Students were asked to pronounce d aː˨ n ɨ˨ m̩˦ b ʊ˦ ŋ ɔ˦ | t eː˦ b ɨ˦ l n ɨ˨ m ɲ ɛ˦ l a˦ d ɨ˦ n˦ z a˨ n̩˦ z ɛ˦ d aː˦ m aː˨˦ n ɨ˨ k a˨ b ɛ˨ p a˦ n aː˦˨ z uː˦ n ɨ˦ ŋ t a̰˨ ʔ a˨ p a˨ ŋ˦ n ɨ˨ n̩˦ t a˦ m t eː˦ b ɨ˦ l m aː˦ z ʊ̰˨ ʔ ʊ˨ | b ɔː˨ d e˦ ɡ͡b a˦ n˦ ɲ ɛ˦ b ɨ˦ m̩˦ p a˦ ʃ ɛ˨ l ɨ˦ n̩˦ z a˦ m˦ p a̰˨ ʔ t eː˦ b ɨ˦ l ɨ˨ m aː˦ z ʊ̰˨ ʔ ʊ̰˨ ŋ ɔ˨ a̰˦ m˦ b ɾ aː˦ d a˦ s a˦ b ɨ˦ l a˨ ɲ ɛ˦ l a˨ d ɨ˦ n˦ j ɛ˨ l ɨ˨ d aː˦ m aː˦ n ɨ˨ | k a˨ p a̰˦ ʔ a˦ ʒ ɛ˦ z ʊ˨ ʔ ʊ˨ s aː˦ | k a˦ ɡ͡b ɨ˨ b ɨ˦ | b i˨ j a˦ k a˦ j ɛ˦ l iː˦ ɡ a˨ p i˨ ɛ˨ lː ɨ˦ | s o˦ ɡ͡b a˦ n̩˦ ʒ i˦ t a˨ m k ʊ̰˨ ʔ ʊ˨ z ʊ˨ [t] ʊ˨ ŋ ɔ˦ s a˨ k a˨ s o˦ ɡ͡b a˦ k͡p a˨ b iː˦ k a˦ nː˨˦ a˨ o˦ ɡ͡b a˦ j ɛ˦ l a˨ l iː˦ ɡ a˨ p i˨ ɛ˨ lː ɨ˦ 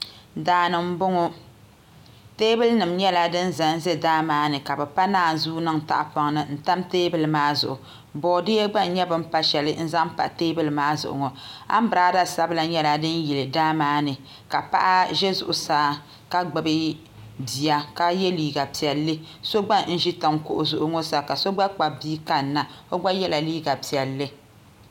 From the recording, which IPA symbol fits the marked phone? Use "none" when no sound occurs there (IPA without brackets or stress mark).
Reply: ʔ